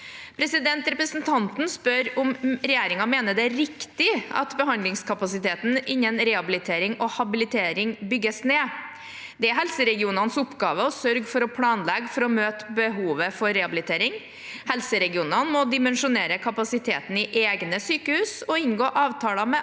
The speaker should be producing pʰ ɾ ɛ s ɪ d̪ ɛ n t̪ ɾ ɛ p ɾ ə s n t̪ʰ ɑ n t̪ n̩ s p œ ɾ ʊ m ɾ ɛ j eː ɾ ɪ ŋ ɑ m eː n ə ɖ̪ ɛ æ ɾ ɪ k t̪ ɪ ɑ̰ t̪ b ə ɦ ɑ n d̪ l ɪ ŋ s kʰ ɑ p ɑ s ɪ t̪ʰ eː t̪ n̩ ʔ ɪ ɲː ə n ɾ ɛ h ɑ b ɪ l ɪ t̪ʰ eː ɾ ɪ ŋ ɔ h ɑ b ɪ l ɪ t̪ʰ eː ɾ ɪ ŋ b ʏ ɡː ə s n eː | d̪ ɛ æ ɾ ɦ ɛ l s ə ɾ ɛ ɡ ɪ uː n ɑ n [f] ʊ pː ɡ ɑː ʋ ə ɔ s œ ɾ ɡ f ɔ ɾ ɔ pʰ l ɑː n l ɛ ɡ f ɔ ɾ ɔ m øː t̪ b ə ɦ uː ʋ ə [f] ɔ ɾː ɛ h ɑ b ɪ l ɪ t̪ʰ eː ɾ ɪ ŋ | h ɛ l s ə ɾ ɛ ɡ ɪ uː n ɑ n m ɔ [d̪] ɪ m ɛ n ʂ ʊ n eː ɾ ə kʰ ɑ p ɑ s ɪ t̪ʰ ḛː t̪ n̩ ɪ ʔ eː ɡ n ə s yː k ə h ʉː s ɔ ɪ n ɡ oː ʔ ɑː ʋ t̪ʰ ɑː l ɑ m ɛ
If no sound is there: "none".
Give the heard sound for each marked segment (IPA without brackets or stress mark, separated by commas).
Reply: s, f, d̪